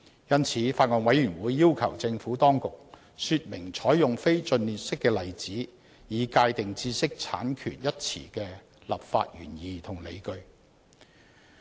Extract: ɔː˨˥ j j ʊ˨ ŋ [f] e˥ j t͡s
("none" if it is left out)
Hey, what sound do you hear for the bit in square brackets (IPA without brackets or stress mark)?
f